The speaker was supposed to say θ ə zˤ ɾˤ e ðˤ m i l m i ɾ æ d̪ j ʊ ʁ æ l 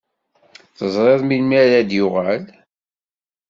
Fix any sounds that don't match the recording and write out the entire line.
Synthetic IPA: θ ə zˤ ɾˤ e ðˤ m i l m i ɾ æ d̪ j ʊ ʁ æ l